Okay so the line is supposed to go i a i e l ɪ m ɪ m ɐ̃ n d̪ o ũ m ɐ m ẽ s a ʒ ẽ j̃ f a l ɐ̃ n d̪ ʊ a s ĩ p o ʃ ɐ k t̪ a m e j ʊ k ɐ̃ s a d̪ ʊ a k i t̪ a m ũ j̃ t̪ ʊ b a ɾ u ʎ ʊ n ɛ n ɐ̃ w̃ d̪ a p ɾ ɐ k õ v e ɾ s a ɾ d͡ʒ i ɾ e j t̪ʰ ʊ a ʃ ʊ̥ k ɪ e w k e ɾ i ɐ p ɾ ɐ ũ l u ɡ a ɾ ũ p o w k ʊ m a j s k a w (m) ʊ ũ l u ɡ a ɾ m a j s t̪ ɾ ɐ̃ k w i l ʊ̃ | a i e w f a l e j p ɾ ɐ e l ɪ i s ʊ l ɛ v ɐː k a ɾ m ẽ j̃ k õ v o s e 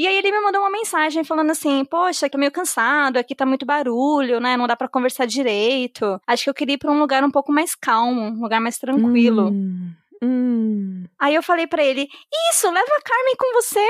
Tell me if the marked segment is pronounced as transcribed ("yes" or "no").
yes